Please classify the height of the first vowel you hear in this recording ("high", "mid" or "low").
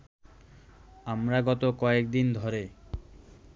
low